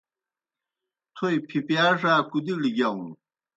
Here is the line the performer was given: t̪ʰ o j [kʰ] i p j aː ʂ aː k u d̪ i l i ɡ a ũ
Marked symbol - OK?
no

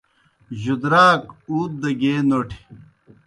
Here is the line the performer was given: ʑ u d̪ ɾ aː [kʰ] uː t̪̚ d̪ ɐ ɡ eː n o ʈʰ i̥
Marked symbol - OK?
no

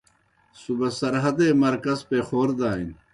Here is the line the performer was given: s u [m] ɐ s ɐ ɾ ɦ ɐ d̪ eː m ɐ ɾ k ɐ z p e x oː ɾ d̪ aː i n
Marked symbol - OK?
no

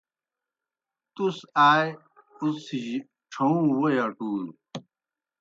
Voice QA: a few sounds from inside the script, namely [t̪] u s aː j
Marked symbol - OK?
yes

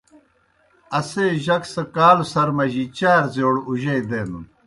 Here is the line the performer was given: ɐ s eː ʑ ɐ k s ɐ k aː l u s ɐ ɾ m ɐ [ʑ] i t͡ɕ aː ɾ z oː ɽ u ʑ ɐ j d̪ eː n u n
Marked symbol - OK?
yes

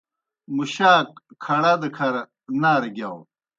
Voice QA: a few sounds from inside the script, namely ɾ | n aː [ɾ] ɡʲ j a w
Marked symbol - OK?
yes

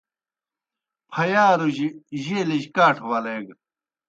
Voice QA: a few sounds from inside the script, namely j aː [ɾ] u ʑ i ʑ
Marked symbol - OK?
yes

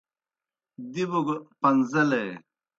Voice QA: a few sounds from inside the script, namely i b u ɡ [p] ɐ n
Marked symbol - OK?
yes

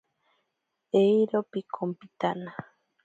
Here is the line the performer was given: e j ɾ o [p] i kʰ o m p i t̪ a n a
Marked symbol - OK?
yes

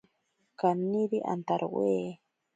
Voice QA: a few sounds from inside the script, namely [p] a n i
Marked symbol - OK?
no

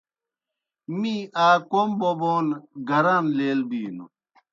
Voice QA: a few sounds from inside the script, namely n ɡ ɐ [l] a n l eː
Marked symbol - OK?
no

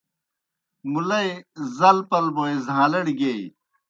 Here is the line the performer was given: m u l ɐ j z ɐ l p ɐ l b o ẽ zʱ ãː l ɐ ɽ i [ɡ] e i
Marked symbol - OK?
yes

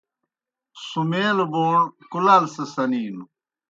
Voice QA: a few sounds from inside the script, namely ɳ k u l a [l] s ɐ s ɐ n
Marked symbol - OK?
yes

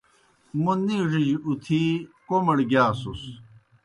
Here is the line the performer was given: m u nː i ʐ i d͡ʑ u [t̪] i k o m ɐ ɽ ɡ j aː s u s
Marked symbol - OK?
no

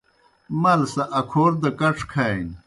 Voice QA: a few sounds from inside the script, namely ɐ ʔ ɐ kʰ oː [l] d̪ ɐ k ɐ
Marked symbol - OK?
no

